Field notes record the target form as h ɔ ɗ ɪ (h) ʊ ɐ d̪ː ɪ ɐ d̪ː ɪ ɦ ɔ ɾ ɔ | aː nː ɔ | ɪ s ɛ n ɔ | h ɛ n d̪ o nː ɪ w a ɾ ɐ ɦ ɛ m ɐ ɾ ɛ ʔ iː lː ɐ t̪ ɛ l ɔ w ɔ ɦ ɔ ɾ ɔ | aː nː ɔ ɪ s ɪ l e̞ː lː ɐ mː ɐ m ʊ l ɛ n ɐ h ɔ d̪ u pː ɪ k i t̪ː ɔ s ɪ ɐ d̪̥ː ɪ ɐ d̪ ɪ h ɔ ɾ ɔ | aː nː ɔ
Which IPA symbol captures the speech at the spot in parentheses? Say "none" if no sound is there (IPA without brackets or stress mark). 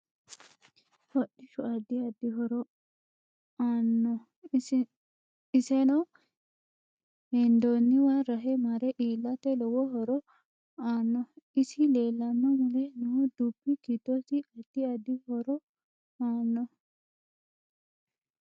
ʃ